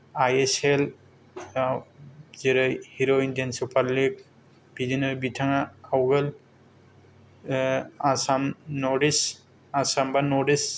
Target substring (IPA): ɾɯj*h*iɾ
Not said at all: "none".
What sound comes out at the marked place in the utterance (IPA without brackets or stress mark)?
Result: h